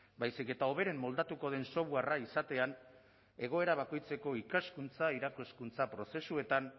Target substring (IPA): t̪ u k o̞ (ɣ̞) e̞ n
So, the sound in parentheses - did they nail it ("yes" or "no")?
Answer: no